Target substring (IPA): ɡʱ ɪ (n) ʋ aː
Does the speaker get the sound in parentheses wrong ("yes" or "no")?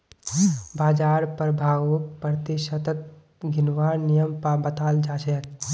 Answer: no